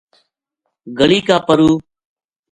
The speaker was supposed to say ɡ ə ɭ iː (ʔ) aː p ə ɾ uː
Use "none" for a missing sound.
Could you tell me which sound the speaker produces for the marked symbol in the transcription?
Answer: k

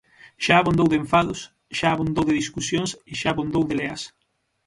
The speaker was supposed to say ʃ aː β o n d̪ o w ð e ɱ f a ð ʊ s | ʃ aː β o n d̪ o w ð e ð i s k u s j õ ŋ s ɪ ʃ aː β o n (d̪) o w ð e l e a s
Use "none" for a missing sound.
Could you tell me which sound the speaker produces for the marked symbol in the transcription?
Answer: d̪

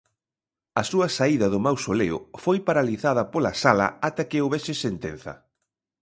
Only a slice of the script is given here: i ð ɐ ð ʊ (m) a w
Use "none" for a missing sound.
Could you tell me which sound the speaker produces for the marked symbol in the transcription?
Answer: m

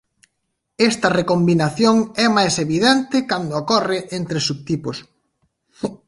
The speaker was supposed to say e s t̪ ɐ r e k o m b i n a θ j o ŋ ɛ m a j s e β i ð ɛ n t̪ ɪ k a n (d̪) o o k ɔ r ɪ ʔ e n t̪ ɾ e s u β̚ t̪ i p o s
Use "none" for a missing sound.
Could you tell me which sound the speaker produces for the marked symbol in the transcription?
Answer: d̪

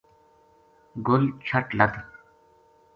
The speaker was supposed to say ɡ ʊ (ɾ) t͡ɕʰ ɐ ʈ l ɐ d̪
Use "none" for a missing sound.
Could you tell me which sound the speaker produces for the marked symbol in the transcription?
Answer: l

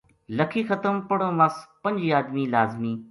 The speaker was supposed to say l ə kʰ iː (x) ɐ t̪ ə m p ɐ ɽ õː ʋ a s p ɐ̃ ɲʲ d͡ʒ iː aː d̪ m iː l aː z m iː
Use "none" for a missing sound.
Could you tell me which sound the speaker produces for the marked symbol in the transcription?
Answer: x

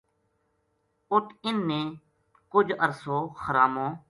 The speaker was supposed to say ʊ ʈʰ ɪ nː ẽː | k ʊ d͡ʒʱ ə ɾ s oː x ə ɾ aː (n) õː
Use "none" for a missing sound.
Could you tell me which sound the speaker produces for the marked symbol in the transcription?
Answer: m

